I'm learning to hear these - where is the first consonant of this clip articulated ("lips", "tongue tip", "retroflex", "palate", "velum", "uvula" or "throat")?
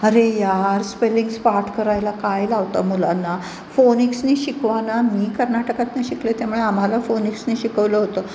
tongue tip